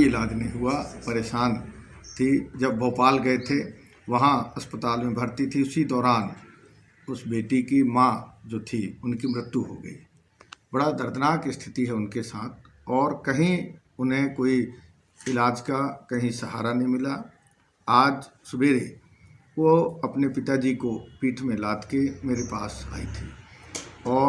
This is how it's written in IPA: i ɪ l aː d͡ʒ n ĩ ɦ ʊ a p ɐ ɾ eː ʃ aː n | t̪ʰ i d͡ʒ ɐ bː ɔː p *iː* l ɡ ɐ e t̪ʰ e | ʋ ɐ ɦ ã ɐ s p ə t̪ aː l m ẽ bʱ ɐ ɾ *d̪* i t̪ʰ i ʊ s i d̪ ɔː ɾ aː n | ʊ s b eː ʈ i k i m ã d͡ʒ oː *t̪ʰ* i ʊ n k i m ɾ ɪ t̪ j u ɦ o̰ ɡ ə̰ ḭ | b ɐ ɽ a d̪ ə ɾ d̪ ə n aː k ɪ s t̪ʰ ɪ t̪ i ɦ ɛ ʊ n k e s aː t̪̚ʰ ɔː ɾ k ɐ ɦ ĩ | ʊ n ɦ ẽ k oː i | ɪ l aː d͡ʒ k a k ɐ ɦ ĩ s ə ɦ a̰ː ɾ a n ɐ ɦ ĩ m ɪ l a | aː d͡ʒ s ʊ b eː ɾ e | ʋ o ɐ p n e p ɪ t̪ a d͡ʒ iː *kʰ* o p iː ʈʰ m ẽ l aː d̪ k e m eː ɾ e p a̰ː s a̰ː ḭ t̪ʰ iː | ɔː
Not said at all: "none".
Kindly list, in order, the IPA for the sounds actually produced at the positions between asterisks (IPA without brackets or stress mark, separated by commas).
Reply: aː, t̪, t̪ʰ, k